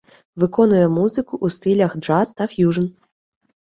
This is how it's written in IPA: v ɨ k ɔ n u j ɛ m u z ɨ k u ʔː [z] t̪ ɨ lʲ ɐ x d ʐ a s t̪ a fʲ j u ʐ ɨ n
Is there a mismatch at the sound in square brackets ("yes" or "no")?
yes